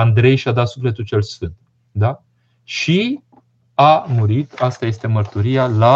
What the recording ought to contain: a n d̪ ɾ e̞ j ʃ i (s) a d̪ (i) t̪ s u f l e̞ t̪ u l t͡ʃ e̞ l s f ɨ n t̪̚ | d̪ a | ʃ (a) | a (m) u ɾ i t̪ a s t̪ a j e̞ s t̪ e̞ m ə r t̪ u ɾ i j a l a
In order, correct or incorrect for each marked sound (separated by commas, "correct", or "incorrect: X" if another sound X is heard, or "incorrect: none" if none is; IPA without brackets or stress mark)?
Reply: incorrect: none, incorrect: a, incorrect: i, correct